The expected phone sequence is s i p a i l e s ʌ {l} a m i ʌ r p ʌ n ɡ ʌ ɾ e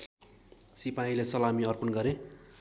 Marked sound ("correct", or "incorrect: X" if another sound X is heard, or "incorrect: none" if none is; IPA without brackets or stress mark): correct